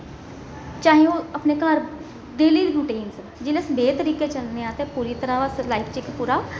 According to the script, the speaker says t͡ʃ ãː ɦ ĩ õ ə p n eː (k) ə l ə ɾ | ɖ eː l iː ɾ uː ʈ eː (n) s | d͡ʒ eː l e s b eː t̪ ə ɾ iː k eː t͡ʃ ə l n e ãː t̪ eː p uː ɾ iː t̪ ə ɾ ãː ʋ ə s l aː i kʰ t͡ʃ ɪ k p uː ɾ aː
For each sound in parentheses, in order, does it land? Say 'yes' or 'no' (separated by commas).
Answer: yes, yes